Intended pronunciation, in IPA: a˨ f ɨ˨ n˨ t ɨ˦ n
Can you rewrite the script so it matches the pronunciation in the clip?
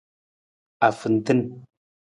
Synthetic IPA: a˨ f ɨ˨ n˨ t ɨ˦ n